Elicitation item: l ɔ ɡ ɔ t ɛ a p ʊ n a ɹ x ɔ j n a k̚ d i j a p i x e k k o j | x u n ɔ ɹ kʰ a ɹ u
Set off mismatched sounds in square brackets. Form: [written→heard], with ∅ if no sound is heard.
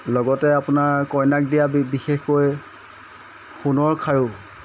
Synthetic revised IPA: l ɔ ɡ ɔ t ɛ a p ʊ n a ɹ [x→k] ɔ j n a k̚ d i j a [p→b] i x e [k→x] k o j | x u n ɔ ɹ kʰ a ɹ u